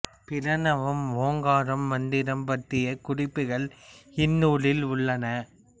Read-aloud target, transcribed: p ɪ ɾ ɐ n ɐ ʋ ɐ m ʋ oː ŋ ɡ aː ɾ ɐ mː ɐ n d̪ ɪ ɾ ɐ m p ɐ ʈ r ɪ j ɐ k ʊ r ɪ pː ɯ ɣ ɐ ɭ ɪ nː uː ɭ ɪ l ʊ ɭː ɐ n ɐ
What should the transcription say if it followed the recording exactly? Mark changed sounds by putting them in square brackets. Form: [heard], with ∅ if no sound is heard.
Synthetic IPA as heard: p ɪ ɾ ɐ n ɐ ʋ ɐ m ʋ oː ŋ ɡ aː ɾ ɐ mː ɐ n d̪ ɪ ɾ ɐ m p ɐ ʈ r ɪ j ɐ k ʊ r ɪ pː ɯ ɣ ɐ ɭ ɪ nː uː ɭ ɪ l ʊ ɭː ɐ n ɐ